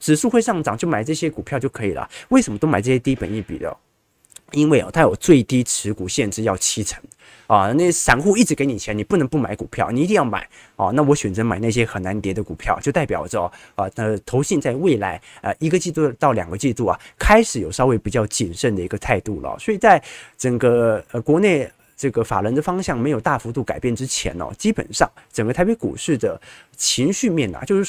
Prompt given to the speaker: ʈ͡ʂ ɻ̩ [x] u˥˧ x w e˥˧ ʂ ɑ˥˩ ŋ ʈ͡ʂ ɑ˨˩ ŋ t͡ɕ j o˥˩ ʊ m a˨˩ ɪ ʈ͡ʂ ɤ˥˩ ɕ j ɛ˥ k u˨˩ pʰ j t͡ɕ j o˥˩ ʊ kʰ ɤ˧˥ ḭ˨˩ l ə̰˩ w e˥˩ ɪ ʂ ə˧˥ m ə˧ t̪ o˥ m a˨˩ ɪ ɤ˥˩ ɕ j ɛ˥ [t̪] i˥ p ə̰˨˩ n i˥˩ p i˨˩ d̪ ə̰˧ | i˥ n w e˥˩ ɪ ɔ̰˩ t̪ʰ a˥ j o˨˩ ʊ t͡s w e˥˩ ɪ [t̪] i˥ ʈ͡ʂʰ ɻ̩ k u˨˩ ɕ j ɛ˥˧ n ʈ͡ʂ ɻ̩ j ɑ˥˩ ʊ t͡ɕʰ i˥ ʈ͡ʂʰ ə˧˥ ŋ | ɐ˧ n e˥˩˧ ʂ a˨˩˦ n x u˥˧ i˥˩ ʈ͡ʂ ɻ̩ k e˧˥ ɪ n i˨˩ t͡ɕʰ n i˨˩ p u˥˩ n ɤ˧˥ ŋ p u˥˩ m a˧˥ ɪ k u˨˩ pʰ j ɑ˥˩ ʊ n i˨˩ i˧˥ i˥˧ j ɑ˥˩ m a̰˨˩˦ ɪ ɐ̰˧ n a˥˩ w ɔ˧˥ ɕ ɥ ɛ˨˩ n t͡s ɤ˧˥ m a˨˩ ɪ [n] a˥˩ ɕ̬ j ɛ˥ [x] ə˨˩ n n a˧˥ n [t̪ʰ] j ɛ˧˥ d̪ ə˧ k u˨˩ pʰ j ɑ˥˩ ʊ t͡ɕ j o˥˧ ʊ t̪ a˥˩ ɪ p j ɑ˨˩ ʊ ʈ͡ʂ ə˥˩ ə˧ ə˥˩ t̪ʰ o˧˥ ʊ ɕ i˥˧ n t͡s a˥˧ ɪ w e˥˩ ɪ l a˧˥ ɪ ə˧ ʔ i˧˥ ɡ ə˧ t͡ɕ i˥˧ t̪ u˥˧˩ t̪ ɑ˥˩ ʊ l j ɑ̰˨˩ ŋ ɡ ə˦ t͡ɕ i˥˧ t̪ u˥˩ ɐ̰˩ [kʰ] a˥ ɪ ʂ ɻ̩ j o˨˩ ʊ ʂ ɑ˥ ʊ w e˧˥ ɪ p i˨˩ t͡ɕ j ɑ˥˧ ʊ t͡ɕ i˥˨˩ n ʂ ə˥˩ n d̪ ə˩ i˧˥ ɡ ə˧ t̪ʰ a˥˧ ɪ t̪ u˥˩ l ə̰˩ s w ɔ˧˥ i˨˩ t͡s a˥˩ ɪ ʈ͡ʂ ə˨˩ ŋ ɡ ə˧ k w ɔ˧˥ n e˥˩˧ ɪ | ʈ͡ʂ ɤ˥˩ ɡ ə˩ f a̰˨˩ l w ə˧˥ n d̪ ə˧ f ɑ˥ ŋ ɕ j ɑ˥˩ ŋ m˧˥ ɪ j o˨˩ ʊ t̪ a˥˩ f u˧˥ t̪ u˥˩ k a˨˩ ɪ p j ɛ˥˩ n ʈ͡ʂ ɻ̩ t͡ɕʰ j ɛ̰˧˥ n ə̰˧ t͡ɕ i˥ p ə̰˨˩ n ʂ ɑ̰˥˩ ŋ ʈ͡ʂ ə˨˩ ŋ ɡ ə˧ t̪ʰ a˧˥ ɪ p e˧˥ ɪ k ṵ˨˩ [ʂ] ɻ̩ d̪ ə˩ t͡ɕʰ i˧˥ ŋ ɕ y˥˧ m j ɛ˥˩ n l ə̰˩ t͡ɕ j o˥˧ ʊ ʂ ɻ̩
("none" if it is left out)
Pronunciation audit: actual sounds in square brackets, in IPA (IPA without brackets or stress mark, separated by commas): ʂ, t̪, t̪, n, x, t̪, kʰ, ʂ